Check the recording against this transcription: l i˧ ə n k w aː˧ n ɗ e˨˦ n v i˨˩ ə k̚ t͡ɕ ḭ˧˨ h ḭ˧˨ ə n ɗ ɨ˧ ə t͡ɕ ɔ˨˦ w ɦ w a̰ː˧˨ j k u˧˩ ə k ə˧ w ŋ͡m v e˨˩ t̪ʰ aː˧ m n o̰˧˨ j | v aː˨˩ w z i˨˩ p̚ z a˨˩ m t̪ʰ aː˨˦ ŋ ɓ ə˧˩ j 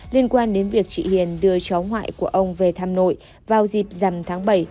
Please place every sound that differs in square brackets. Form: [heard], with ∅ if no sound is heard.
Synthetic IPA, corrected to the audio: l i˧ ə n k w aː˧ n ɗ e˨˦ n v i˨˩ ə k̚ t͡ɕ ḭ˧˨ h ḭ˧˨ ə n ɗ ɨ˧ ə t͡ɕ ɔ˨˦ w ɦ w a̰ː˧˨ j k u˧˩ ə [ʔ] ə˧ w ŋ͡m v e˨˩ t̪ʰ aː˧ m n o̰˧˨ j | v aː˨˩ w z i˨˩ p̚ z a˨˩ m t̪ʰ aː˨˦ ŋ ɓ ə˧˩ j